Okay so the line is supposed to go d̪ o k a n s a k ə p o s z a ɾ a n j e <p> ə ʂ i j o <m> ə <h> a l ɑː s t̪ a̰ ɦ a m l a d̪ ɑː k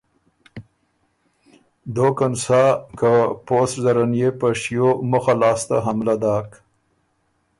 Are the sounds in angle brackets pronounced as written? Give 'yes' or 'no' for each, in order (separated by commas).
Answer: yes, yes, no